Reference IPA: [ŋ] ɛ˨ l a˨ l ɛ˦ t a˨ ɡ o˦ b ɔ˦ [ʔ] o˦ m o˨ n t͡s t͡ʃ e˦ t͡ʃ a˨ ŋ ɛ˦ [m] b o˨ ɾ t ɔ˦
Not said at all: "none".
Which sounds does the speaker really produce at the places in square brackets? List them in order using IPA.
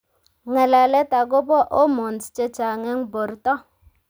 ŋ, ʔ, ŋ

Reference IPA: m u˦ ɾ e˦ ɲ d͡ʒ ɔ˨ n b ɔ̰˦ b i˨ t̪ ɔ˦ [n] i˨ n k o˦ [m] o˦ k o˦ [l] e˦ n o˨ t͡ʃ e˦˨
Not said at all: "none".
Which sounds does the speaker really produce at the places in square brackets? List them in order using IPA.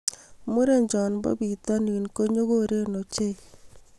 n, ɲ, ɾ

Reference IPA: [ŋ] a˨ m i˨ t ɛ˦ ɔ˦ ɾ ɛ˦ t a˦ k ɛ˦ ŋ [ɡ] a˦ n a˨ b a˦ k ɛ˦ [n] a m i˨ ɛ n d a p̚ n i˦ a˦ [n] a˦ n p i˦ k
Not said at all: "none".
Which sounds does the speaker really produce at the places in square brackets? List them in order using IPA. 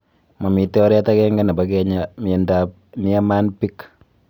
m, ɡ, ɲ, m

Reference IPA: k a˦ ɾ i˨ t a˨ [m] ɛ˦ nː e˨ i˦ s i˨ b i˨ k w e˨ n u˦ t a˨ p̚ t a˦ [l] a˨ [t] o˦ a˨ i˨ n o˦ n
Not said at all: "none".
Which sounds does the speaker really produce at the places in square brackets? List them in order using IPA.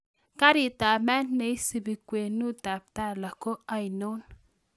m, l, k

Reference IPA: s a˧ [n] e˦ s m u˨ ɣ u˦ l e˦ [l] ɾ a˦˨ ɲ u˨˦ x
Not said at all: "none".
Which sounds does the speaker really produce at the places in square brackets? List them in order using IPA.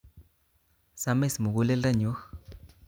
m, l

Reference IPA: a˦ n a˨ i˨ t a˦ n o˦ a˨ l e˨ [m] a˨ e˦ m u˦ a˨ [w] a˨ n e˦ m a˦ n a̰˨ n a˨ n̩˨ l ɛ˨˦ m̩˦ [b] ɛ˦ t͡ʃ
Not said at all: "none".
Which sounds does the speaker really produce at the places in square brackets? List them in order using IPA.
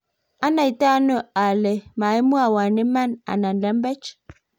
m, w, b

